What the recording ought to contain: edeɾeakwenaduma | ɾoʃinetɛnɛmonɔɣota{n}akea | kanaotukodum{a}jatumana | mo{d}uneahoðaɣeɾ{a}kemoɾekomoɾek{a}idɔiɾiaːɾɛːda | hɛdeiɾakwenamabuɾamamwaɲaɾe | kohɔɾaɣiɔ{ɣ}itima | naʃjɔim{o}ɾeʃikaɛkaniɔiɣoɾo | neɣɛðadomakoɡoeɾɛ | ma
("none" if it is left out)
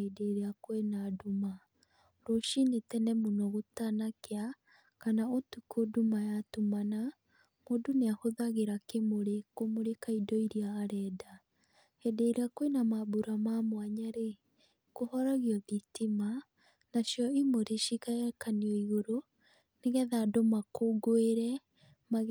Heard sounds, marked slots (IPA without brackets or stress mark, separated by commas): n, a, d, a, a, ð, o